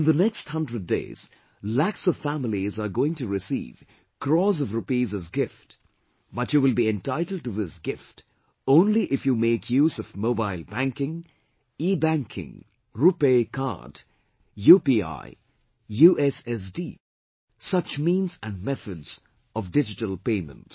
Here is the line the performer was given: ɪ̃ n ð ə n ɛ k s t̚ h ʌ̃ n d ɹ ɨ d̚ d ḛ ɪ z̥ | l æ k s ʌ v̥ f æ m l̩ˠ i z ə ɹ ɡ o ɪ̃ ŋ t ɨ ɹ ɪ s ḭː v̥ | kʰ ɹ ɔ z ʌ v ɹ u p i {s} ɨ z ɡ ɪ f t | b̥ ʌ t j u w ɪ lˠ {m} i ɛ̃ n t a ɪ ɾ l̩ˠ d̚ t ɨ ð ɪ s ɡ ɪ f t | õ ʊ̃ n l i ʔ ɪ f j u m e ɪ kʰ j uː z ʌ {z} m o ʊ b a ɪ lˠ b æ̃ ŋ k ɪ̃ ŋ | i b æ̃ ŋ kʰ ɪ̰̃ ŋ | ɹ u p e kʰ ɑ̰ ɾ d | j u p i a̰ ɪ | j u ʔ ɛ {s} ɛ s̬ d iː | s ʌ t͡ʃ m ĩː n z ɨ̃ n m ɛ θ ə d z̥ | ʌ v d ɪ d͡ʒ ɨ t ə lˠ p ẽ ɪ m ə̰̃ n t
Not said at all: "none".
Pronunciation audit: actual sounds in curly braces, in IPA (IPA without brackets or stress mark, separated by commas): z, b, v, s